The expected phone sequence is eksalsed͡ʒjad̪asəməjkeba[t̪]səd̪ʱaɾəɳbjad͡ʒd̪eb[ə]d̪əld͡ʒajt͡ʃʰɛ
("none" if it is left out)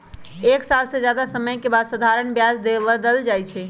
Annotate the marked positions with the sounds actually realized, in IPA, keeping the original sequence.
d̪, ə

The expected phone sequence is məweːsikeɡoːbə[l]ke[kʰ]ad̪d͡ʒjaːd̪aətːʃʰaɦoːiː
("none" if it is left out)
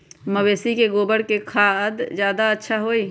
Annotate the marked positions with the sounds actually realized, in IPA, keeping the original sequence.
ɽ, kʰ

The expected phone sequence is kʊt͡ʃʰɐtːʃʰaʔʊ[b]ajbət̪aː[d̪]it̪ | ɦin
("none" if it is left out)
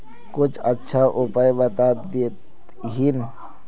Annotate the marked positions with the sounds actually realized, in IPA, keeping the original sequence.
p, d̪

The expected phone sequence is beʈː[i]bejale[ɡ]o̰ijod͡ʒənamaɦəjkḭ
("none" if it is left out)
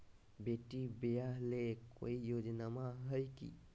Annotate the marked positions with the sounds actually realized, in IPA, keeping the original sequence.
i, k

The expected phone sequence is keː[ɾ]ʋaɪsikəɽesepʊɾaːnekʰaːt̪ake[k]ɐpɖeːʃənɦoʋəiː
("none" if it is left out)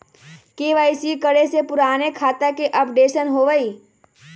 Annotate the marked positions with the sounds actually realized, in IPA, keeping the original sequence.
none, ʔ

